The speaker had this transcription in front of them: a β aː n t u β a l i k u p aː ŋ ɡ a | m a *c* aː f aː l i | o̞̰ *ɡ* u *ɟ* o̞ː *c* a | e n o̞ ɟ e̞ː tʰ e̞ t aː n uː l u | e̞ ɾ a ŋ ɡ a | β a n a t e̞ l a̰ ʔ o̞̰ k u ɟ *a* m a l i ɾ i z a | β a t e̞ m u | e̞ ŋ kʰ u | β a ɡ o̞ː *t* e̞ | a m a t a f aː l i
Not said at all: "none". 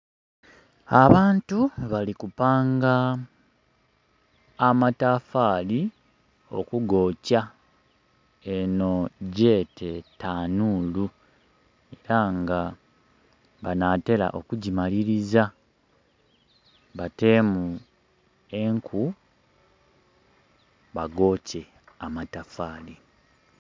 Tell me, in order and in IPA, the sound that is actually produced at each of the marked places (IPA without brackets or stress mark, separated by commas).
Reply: t, k, ɡ, c, i, c